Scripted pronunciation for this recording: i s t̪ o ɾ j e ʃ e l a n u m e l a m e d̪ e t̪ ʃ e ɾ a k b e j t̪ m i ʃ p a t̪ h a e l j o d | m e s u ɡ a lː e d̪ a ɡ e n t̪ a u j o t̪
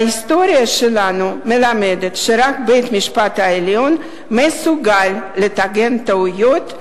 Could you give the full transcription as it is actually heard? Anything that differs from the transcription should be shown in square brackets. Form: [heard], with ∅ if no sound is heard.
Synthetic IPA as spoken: i s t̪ o ɾ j [a] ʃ e l a n u m e l a m e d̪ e t̪ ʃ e ɾ a k b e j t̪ m i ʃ p a t̪ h a e l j o [n] | m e s u ɡ a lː e [t̪] a ɡ e n t̪ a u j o t̪